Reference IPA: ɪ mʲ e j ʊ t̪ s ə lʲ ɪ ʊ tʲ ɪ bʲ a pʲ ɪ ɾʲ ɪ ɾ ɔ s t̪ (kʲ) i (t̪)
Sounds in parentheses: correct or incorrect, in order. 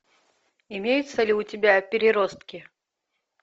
correct, incorrect: none

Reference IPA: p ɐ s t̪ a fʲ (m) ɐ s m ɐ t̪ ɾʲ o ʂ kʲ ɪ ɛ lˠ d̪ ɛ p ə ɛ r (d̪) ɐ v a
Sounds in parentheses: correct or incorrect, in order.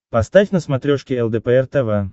incorrect: n, incorrect: t̪

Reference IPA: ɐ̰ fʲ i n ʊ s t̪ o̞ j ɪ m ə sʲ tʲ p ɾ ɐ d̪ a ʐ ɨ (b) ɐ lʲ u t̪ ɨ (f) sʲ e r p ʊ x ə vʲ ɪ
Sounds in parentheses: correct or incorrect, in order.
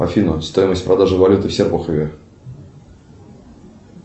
incorrect: v, correct

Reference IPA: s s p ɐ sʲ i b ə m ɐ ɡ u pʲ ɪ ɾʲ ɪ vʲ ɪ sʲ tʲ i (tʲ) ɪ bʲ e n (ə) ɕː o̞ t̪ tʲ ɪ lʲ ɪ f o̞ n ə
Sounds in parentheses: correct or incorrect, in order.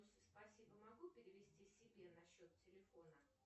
incorrect: sʲ, incorrect: ɐ

